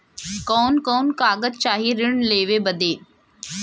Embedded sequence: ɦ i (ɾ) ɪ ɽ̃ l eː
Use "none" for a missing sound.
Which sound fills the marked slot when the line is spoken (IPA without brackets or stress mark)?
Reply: ɾ